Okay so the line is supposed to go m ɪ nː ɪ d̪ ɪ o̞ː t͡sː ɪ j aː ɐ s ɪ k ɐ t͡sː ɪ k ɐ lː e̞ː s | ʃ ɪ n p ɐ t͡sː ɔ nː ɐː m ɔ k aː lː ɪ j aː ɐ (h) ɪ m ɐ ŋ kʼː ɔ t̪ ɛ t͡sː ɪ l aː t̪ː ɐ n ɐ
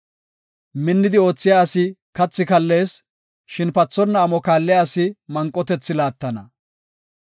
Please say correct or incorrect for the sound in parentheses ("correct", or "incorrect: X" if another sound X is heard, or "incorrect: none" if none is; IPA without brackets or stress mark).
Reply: incorrect: s